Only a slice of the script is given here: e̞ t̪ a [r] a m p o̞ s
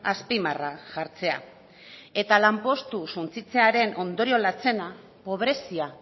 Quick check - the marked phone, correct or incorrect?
incorrect: l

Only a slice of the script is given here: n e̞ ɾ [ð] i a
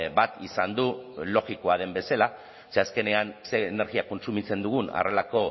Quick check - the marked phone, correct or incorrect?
incorrect: ɣ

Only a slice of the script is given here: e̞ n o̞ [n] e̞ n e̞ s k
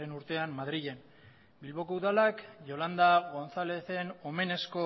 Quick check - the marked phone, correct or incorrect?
incorrect: m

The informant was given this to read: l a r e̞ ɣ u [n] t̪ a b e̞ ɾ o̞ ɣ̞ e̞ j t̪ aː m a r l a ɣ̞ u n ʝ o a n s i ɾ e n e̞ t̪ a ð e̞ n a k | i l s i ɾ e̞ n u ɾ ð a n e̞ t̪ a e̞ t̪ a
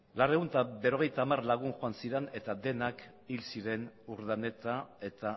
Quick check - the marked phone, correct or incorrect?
correct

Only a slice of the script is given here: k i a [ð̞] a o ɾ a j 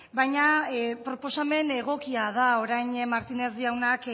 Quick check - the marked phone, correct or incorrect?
correct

